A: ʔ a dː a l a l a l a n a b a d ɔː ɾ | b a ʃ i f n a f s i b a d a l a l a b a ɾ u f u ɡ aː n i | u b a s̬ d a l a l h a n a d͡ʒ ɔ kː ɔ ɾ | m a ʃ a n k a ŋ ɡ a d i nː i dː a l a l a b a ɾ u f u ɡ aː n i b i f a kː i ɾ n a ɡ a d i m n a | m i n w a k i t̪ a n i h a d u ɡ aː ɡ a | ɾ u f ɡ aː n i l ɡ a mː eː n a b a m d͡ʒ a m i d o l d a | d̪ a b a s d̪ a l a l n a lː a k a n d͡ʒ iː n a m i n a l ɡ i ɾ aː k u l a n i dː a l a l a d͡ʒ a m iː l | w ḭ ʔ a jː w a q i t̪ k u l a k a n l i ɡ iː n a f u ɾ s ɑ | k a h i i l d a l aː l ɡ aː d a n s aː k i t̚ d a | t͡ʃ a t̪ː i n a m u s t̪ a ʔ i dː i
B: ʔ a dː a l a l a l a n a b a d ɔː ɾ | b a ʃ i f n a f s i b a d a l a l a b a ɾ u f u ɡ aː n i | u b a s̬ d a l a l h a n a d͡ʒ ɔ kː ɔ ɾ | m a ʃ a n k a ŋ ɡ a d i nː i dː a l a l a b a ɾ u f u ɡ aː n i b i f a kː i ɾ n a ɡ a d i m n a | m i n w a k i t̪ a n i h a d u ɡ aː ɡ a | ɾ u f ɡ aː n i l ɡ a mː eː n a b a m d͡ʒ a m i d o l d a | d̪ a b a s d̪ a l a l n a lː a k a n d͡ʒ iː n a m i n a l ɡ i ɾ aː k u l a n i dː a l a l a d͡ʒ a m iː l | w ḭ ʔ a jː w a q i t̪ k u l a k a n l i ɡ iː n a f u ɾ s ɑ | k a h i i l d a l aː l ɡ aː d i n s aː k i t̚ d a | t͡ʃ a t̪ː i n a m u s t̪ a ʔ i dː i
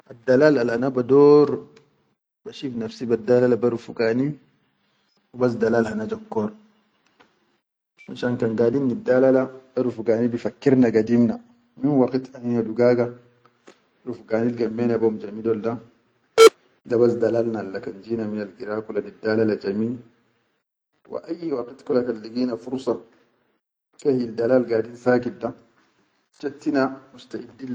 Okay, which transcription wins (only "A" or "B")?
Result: B